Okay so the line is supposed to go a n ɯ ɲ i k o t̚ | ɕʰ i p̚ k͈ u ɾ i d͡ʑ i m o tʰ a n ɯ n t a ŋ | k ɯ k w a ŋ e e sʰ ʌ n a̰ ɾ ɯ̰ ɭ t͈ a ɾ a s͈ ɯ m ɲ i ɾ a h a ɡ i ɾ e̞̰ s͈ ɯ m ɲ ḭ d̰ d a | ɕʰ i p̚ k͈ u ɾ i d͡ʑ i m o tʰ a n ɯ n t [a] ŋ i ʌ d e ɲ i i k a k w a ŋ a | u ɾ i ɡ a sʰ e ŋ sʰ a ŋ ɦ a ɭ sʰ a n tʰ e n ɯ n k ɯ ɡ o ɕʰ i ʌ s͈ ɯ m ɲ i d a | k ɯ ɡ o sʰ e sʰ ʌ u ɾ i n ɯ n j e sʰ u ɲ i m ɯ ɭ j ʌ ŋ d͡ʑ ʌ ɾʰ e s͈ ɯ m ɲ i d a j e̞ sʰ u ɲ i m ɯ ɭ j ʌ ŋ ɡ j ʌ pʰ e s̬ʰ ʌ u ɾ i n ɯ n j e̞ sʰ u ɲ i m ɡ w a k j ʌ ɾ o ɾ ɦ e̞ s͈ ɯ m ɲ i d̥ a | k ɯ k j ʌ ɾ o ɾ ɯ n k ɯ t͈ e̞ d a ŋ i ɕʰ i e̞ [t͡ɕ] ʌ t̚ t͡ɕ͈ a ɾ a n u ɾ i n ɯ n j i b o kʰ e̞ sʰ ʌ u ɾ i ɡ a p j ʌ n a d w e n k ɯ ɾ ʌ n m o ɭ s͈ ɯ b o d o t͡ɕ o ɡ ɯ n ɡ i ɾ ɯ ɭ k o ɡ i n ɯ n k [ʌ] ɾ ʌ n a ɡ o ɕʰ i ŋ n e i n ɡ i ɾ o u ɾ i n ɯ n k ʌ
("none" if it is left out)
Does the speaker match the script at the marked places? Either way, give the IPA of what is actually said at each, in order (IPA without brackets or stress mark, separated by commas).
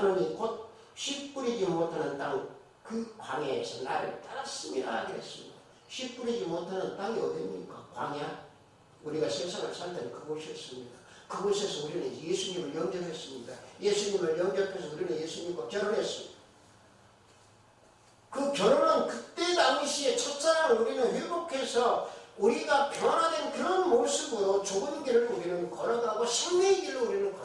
a, t͡ɕʰ, ʌ